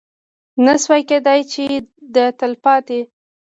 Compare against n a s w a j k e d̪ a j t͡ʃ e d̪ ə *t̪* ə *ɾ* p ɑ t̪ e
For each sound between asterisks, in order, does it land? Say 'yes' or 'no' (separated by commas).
yes, no